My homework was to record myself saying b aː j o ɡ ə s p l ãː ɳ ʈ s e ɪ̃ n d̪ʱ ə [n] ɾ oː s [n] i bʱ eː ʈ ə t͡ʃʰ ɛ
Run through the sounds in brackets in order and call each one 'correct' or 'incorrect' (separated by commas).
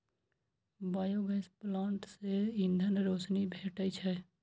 correct, correct